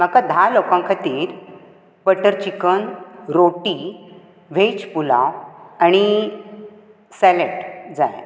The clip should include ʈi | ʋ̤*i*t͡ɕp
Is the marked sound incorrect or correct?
incorrect